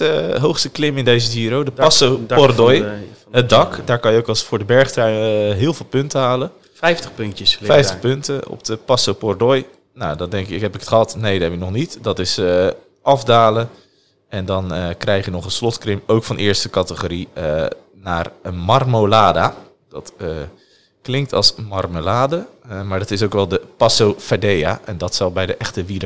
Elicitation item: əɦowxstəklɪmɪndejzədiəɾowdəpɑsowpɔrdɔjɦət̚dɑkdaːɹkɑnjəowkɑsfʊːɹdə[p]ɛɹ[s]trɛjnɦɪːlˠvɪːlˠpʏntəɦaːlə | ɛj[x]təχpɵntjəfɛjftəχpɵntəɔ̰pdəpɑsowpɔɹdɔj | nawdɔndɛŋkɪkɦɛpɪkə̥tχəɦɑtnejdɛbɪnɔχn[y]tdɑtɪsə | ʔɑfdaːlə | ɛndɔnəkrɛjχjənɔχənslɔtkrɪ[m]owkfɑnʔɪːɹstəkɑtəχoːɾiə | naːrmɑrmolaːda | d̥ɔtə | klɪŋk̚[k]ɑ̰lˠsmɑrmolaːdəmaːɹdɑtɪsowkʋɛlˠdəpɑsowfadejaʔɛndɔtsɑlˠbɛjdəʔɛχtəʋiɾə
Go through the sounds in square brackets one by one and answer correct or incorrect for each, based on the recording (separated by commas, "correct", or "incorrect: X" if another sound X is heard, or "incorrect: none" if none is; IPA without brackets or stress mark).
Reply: incorrect: b, incorrect: χ, incorrect: f, incorrect: i, correct, incorrect: t